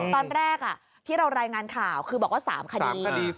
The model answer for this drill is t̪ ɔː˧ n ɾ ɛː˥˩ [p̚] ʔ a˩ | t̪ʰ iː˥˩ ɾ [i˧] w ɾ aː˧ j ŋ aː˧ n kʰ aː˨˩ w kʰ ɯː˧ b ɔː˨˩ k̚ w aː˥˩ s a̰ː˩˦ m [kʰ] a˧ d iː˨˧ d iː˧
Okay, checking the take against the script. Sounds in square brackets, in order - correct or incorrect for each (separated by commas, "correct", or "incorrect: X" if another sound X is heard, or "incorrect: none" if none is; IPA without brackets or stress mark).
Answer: incorrect: k̚, incorrect: a˧, correct